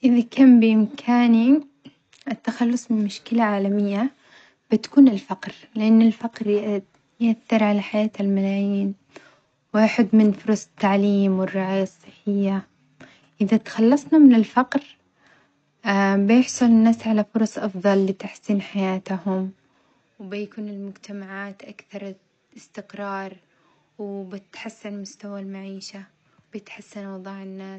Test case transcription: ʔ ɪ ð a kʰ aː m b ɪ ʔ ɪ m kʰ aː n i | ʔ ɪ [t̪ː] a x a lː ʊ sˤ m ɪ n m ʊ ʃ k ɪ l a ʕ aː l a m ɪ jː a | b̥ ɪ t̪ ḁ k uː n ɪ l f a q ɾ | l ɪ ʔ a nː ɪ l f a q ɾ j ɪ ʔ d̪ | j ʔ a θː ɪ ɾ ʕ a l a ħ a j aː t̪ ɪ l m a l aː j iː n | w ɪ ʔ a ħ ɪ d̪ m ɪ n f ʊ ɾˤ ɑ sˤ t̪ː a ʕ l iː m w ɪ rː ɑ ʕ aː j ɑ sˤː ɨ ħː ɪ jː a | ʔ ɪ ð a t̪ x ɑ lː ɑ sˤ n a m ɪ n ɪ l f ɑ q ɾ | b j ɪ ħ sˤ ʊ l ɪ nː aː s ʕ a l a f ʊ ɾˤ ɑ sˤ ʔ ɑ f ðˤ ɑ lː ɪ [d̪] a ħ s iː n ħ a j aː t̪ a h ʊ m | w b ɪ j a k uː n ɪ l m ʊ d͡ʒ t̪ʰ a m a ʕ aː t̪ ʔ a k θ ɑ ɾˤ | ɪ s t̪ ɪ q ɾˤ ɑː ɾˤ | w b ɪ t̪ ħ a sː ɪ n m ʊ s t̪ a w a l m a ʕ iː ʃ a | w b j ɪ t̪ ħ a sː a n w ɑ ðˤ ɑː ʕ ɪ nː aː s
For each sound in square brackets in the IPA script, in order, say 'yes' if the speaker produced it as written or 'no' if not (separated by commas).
yes, no